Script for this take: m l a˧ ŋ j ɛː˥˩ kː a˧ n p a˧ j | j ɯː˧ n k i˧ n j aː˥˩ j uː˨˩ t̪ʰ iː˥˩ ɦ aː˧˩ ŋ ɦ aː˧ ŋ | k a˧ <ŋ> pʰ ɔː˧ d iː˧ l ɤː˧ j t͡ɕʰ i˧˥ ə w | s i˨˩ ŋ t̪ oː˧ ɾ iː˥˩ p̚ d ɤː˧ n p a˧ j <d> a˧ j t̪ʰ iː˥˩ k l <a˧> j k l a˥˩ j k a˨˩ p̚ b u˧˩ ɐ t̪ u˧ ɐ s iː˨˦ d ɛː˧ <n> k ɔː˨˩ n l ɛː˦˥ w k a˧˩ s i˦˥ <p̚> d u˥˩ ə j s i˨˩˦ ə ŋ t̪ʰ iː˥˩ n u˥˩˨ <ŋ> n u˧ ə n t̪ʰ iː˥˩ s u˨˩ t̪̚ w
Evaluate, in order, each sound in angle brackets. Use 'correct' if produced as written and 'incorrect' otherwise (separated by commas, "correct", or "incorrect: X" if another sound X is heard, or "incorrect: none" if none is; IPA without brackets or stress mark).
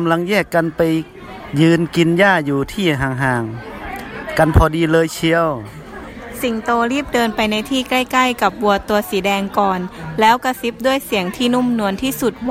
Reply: incorrect: n, incorrect: n, incorrect: a˥˩, incorrect: ŋ, correct, incorrect: m